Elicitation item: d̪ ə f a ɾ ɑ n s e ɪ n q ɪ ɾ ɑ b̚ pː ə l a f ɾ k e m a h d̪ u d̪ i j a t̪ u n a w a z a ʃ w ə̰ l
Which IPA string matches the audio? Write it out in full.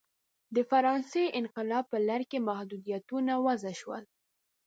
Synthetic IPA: d̪ ə f a ɾ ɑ n s e ɪ n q ɪ l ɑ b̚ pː ə l a ɾ k e m a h d̪ u d̪ i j a t̪ u n a w a z a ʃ w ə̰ l